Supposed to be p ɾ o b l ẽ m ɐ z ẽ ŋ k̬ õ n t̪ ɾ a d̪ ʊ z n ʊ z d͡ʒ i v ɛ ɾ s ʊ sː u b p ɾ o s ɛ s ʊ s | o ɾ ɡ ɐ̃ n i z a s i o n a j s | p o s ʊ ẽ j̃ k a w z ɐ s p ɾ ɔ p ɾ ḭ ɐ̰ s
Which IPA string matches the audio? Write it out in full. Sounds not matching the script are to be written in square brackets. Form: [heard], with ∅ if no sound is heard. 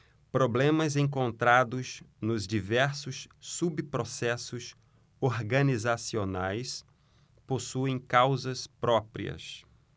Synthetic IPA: p ɾ o b l ẽ m ɐ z ẽ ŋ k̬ õ n t̪ ɾ a d̪ ʊ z n ʊ z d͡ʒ i v ɛ ɾ s ʊ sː u b p ɾ o s ɛ s ʊ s | o ɾ ɡ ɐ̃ n i z a s i o n a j s | p o s [u] ẽ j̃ k a w z ɐ s p ɾ ɔ p ɾ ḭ ɐ̰ s